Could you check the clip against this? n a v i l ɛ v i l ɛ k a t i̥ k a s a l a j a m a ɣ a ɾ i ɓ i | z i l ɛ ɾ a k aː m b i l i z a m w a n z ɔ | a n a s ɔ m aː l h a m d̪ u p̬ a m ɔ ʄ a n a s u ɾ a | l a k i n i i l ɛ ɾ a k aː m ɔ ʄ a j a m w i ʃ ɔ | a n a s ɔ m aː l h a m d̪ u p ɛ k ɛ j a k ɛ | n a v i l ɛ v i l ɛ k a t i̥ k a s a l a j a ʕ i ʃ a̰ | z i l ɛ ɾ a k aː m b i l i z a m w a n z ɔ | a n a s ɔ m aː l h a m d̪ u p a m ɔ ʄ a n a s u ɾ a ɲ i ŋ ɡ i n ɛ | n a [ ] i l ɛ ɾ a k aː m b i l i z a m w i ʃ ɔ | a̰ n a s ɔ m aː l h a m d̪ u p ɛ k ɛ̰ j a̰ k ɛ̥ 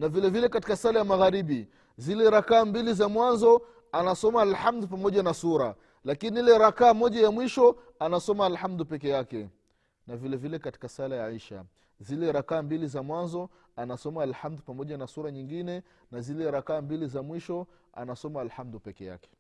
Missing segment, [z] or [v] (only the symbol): z